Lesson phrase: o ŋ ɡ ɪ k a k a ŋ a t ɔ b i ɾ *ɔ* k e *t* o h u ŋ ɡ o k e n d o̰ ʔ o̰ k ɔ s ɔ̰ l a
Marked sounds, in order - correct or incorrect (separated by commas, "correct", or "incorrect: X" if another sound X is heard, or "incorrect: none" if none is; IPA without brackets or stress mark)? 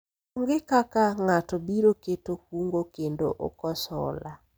incorrect: o, correct